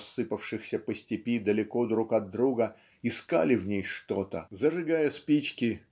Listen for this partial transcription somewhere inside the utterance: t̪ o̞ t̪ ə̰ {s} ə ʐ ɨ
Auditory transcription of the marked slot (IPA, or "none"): z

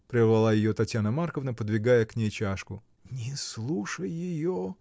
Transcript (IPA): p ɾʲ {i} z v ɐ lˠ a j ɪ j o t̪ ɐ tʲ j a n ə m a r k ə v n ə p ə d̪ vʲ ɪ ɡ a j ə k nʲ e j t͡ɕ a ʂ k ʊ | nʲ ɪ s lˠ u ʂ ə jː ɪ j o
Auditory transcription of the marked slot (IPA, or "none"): ɪ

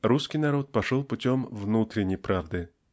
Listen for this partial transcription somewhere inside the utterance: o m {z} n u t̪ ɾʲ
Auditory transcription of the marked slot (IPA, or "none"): v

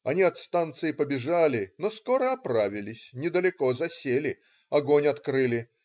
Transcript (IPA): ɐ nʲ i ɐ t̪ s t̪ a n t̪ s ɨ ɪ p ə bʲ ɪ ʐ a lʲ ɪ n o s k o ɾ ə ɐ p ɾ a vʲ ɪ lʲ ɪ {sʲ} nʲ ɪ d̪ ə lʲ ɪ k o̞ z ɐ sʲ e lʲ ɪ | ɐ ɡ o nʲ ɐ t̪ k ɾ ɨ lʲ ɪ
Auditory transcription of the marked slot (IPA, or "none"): sʲ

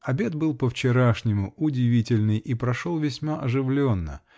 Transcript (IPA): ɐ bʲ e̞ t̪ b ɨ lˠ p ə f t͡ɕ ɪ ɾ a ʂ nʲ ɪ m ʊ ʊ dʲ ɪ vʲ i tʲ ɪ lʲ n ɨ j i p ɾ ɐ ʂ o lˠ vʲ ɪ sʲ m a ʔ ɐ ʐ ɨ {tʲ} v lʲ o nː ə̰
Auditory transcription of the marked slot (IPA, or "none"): none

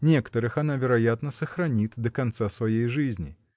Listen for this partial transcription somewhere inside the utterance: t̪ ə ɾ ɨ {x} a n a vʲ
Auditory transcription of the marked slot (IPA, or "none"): x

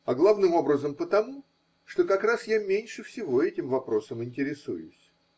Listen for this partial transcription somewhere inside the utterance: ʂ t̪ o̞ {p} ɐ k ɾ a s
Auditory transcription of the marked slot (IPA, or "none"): k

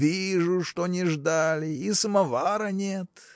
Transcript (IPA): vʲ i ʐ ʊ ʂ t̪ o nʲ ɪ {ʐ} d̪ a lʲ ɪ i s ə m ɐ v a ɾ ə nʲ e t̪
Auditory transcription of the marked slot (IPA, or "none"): ʐ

